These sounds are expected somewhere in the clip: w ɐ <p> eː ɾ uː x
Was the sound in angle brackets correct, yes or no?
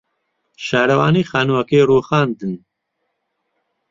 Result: no